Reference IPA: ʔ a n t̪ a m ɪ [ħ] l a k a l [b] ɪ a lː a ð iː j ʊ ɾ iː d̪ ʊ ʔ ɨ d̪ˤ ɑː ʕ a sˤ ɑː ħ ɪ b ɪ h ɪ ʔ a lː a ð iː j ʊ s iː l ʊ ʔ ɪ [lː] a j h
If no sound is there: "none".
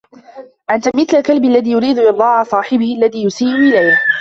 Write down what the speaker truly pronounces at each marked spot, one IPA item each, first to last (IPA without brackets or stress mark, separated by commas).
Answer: θ, b, l